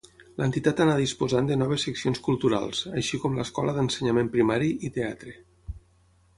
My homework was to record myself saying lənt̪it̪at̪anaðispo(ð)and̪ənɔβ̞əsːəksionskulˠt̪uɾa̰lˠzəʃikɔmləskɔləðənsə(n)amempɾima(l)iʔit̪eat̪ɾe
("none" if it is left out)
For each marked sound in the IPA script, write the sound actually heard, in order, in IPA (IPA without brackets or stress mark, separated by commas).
z, ɲ, ɾ